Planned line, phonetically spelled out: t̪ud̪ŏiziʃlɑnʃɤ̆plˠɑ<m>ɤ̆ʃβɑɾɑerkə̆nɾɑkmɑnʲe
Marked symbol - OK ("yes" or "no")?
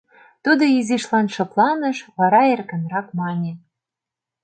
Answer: no